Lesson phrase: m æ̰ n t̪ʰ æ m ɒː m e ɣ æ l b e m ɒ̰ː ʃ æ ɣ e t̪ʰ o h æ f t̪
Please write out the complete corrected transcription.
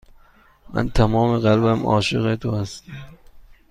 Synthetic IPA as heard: m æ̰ n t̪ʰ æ m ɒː m e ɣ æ l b æ m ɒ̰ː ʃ e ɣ e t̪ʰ o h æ s t̪